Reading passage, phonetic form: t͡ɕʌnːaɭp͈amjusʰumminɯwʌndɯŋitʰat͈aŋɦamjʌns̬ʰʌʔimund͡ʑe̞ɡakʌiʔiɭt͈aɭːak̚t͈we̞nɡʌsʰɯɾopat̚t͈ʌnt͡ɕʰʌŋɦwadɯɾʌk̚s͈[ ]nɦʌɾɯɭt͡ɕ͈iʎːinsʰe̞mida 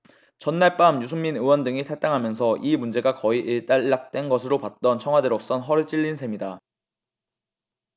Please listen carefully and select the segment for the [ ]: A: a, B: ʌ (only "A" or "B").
B